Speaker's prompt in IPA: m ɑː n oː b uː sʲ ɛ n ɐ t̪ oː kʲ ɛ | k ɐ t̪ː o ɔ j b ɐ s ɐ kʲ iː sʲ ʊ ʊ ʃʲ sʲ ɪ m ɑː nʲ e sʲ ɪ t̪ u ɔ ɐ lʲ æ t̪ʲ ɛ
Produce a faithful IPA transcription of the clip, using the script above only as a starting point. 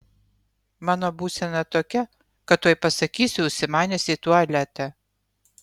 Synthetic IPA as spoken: m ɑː n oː b uː sʲ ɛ n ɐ t̪ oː kʲ ɛ | k ɐ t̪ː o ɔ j p ɐ s ɐ kʲ iː sʲ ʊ ʊ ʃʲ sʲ ɪ m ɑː nʲ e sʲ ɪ t̪ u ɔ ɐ lʲ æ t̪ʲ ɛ